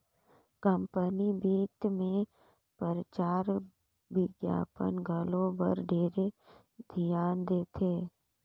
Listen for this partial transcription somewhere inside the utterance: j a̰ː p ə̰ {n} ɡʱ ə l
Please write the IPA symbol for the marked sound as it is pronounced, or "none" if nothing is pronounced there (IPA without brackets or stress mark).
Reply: n